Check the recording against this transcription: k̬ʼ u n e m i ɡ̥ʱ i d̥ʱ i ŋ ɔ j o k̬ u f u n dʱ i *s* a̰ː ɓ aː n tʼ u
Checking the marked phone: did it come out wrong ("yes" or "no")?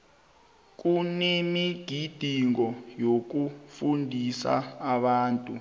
no